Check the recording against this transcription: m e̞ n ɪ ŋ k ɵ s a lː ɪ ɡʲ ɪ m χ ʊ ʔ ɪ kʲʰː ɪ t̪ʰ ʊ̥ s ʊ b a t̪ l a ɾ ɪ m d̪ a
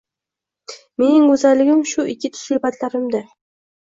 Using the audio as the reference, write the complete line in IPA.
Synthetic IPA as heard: m e̞ n ɪ ŋ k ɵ z a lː ɪ ɡʲ ɪ m ʃ ʊ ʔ ɪ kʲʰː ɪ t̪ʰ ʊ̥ s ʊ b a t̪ l a ɾ ɪ m d̪ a